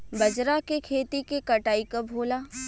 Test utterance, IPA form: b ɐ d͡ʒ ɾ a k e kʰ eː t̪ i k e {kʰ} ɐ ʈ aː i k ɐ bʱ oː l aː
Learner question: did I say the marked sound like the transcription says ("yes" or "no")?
no